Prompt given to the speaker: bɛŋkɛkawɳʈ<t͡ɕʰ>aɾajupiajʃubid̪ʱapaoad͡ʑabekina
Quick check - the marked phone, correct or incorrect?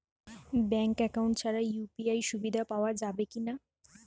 correct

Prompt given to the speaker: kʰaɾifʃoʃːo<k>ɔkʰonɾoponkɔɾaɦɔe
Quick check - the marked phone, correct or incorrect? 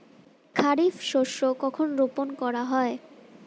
correct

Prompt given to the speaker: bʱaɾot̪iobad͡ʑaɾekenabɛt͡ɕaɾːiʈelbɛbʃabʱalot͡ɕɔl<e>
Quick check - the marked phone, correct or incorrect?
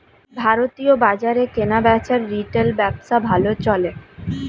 correct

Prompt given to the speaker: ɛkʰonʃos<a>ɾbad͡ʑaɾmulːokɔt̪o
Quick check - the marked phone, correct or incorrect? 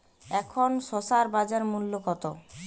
correct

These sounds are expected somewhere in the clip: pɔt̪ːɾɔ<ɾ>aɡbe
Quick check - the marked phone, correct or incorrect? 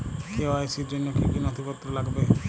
incorrect: l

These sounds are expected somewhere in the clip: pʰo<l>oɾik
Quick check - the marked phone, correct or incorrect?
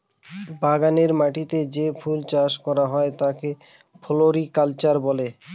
correct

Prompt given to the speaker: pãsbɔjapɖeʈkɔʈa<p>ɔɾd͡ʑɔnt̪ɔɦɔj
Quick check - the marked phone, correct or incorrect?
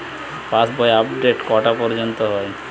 correct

